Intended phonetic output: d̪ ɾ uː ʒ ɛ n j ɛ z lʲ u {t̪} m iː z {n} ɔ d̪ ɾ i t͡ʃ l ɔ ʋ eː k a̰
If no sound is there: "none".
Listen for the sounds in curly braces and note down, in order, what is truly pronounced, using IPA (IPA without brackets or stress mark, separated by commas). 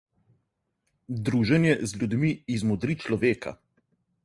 d̪, m